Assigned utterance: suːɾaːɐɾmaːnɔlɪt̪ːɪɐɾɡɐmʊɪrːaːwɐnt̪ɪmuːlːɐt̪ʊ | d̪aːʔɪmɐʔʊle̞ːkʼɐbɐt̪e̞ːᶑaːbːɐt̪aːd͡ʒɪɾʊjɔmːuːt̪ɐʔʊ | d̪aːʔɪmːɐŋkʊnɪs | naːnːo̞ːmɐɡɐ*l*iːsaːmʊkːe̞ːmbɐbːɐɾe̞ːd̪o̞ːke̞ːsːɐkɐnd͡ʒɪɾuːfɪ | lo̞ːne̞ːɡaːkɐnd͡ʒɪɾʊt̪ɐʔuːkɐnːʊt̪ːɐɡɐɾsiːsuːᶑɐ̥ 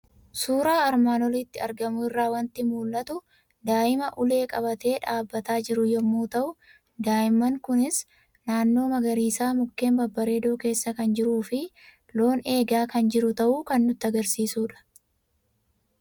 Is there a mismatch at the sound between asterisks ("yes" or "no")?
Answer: yes